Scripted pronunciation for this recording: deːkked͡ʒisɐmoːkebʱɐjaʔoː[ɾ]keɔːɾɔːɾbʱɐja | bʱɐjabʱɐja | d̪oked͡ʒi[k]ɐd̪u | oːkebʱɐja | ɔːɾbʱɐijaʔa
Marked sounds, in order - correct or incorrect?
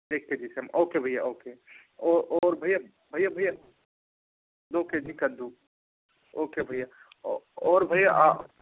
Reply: incorrect: none, correct

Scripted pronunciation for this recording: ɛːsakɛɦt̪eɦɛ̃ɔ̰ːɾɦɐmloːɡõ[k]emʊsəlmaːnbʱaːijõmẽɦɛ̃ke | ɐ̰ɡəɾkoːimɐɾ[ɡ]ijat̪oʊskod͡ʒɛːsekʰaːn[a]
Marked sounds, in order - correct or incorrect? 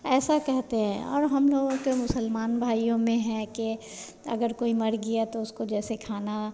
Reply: correct, correct, correct

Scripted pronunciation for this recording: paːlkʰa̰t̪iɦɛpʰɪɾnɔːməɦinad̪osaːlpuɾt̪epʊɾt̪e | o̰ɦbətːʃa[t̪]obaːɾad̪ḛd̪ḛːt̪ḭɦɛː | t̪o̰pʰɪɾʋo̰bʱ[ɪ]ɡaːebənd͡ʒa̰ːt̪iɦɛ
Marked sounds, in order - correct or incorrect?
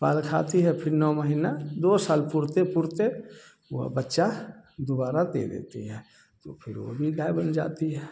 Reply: incorrect: d̪, incorrect: i

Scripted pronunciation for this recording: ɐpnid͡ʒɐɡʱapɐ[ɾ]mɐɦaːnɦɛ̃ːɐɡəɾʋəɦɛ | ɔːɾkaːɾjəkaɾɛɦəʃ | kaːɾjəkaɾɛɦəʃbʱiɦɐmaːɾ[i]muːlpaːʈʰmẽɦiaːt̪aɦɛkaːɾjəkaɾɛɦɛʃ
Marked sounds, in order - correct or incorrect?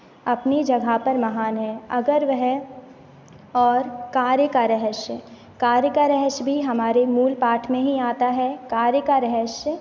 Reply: correct, incorrect: e

